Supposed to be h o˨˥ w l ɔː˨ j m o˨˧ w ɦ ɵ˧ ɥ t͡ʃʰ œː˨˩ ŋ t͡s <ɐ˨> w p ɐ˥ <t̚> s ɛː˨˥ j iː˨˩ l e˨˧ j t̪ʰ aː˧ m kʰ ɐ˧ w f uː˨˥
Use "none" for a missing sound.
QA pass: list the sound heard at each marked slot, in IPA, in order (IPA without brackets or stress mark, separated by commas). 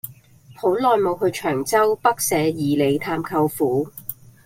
ɐ˥, k̚